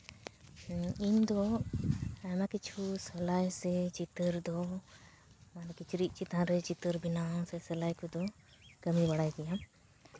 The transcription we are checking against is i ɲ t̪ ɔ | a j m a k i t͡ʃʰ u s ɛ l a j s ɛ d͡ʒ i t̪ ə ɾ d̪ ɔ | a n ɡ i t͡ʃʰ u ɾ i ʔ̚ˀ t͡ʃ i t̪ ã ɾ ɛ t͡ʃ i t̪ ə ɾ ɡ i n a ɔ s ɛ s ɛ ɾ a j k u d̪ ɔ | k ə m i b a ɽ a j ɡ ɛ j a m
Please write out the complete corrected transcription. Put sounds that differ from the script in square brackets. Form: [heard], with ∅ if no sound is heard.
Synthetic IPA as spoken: i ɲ [d̪] ɔ | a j m a k i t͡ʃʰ u s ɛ l a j s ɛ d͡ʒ i t̪ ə ɾ d̪ ɔ | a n [k] i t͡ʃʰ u ɾ i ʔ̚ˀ t͡ʃ i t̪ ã ɾ ɛ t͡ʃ i t̪ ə ɾ [b] i n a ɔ s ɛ s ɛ [l] a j k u d̪ ɔ | k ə m i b a ɽ a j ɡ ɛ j a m